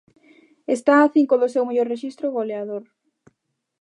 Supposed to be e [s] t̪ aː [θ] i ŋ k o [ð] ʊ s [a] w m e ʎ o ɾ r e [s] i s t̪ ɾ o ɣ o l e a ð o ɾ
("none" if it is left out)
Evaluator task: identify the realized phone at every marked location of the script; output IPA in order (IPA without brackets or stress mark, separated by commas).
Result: s, θ, ð, e, ʃ